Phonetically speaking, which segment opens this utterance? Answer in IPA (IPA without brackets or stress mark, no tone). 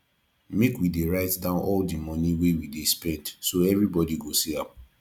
m